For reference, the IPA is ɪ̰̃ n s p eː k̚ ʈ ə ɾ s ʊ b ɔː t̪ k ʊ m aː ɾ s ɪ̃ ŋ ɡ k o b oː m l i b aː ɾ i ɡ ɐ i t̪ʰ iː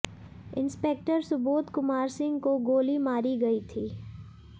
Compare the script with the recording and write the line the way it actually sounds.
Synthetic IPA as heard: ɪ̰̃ n s p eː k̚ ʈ ə ɾ s ʊ b uː t̪ k ʊ m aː ɾ s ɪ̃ ŋ ɡ k o ɡ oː l i m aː ɾ i ɡ ɐ i t̪ʰ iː